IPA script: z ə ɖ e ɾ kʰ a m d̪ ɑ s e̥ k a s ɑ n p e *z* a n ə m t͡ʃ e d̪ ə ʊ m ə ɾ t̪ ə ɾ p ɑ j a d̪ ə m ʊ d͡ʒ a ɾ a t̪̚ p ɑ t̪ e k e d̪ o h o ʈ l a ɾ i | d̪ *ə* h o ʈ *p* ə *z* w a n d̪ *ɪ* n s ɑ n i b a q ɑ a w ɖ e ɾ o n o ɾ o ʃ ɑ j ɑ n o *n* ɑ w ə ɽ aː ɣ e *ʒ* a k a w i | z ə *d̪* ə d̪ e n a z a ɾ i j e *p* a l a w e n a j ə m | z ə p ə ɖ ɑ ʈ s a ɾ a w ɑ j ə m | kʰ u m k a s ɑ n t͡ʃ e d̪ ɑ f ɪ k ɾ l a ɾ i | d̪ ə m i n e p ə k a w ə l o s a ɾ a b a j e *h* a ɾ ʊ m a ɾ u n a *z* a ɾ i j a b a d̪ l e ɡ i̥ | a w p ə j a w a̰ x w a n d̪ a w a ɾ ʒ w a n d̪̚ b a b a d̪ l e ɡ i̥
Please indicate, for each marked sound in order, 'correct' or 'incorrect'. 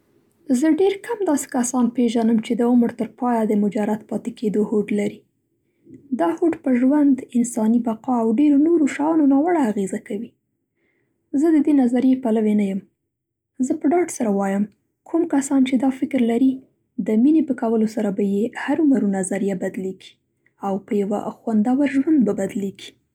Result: incorrect: ʒ, incorrect: ɑ, correct, incorrect: ʒ, correct, correct, incorrect: z, correct, correct, correct, correct

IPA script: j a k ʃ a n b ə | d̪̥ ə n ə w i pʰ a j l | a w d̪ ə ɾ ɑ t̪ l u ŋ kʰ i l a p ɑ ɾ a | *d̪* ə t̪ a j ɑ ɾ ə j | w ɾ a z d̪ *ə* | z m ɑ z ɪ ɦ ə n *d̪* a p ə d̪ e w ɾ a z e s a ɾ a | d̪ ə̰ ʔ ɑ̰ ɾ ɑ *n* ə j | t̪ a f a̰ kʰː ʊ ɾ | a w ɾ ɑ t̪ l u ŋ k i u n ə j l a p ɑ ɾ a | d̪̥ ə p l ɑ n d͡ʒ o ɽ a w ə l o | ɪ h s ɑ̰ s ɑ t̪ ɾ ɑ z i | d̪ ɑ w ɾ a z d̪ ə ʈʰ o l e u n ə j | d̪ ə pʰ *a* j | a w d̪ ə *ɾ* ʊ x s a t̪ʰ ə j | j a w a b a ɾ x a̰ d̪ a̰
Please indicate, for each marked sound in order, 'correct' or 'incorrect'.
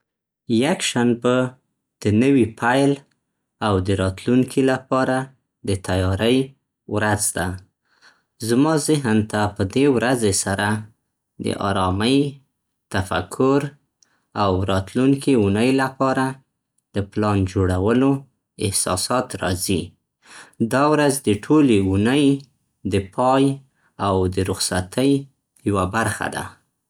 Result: correct, incorrect: a, incorrect: t̪, incorrect: m, incorrect: ɑ, correct

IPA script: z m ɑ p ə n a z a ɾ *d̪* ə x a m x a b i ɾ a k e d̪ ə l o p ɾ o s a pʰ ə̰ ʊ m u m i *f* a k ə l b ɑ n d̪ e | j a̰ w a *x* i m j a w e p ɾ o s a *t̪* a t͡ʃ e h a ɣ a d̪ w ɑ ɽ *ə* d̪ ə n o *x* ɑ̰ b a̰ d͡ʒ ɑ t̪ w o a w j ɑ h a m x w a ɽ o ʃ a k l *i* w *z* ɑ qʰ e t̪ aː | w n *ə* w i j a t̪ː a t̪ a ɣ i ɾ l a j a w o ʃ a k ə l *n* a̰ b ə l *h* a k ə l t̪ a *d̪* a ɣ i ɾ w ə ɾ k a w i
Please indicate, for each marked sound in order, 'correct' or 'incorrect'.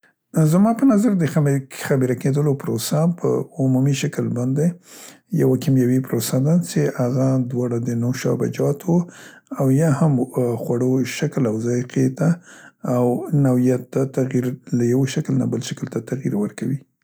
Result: correct, incorrect: ʃ, incorrect: k, incorrect: d̪, incorrect: a, incorrect: ʃ, incorrect: a, correct, incorrect: a, correct, incorrect: ʃ, incorrect: t̪

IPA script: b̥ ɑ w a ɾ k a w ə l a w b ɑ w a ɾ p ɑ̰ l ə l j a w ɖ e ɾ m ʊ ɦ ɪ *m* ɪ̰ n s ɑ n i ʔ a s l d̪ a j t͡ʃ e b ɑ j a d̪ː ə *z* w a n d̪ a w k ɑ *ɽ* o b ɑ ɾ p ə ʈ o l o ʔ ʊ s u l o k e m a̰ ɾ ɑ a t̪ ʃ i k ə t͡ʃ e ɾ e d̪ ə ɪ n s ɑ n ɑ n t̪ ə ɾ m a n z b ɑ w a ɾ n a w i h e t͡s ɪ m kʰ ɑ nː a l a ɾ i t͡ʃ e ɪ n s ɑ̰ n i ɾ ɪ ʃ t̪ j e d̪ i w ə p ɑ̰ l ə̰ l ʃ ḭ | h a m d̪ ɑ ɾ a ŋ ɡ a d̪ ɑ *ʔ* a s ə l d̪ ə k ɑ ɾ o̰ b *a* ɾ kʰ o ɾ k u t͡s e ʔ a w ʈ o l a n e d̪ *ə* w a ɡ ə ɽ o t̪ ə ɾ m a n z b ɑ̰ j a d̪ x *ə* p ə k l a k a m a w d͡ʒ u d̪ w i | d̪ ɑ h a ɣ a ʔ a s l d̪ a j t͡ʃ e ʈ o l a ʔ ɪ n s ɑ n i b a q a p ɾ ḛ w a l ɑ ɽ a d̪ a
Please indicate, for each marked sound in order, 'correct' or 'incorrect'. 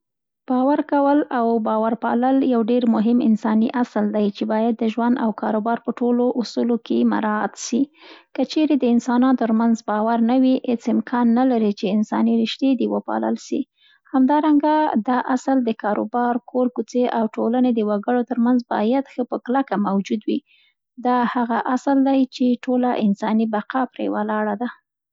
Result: correct, incorrect: ʒ, incorrect: ɾ, correct, incorrect: ɑ, correct, correct

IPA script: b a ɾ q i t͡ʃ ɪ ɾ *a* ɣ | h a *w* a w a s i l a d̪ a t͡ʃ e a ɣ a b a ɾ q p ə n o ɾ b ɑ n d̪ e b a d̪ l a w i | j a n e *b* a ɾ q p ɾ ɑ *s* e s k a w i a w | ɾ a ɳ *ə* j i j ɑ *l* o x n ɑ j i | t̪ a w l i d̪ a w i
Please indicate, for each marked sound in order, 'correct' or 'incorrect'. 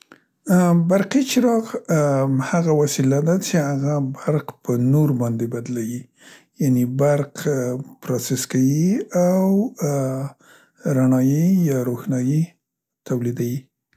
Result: incorrect: ɑ, incorrect: ɣ, correct, correct, incorrect: ɑ, incorrect: ɾ

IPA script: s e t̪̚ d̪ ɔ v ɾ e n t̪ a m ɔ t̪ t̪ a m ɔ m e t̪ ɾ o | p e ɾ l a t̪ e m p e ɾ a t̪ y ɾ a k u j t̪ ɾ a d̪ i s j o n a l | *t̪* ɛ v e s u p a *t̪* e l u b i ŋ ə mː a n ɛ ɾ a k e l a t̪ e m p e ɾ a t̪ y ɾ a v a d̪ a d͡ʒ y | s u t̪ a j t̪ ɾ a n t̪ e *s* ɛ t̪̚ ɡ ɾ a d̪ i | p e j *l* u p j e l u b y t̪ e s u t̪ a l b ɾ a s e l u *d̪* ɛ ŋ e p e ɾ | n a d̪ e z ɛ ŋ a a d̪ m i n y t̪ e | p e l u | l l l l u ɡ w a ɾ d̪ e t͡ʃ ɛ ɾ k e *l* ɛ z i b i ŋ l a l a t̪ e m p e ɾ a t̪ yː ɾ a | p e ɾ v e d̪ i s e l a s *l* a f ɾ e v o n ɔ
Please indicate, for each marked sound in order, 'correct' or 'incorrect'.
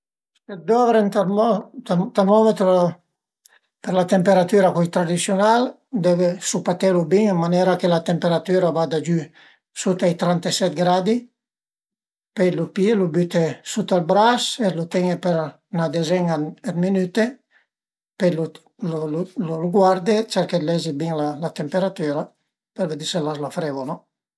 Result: incorrect: d̪, correct, correct, correct, incorrect: t̪, correct, correct

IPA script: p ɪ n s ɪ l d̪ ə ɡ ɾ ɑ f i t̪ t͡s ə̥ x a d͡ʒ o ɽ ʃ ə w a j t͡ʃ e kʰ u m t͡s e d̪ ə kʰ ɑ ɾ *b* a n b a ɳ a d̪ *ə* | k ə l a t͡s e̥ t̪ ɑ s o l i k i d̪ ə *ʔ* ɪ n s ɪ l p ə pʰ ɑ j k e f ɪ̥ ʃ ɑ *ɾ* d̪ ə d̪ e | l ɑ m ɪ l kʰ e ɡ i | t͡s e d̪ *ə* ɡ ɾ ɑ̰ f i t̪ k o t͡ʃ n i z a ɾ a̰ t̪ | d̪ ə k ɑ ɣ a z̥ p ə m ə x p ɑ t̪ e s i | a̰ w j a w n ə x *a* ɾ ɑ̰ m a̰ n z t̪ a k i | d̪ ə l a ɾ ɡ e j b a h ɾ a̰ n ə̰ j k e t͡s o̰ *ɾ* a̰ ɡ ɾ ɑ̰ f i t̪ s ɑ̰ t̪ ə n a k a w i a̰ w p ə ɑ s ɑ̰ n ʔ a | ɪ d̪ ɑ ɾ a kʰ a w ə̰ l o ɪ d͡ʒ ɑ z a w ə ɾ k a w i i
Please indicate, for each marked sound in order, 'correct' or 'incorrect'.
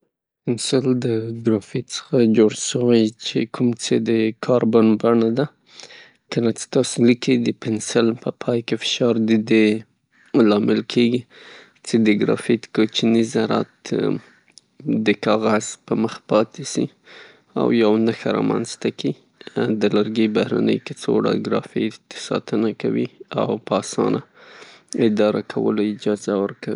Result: correct, incorrect: a, incorrect: p, correct, correct, correct, incorrect: ɽ

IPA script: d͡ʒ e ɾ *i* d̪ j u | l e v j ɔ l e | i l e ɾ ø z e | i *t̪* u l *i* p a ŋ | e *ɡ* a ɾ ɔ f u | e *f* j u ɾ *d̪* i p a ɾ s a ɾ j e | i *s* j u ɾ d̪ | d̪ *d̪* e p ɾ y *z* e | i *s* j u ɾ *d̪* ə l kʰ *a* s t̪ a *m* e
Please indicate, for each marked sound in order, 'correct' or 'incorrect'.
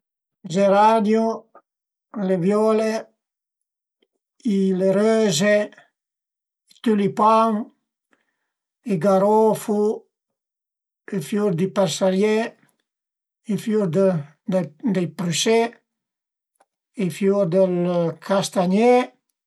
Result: incorrect: a, correct, correct, correct, correct, correct, incorrect: f, correct, incorrect: s, incorrect: f, correct, correct, incorrect: ɲ

